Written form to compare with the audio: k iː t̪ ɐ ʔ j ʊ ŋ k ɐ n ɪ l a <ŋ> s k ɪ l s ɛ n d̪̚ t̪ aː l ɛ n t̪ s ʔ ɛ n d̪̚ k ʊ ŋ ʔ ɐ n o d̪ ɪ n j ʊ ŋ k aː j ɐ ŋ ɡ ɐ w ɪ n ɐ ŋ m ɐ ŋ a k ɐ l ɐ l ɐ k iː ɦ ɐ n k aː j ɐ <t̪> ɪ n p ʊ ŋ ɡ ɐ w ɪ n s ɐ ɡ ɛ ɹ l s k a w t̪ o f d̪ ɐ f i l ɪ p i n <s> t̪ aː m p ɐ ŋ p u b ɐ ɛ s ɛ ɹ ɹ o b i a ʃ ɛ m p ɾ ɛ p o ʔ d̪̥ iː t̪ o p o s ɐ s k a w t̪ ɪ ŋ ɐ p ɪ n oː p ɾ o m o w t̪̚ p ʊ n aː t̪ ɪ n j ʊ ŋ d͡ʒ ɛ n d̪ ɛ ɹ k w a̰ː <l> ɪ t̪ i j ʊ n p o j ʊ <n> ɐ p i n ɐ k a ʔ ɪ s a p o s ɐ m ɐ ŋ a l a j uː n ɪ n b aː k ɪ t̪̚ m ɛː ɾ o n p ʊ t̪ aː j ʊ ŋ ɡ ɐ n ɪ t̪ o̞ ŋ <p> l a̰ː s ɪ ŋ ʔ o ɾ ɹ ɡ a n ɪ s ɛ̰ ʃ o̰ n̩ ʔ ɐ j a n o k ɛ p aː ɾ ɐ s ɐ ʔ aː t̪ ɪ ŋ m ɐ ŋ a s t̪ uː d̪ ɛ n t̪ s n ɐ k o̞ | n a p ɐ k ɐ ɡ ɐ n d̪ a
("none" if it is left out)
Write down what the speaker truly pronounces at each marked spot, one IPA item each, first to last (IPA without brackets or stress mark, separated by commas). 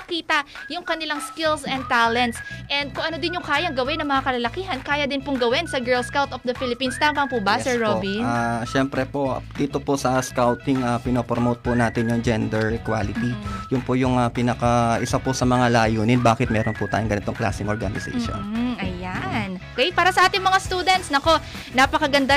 ŋ, d̪, s, l, ŋ, k